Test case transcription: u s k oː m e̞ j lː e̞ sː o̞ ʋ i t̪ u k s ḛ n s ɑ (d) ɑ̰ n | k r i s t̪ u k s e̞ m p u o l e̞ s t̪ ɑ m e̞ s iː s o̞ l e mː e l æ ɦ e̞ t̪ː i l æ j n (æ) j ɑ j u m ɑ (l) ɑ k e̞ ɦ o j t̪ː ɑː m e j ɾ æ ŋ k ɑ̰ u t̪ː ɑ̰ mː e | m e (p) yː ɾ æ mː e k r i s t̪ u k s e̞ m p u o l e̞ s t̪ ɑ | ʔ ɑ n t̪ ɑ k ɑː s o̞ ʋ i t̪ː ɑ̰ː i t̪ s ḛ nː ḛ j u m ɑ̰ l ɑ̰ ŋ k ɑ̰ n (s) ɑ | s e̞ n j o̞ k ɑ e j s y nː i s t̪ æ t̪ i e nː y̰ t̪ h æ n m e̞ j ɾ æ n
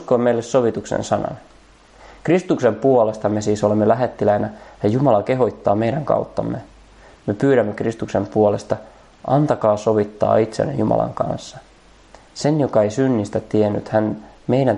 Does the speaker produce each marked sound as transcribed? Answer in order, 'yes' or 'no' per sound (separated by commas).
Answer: no, yes, yes, yes, no